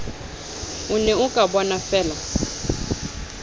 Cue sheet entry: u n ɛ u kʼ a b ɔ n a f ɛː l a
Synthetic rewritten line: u n ɛ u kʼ a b ɔ n a f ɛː l a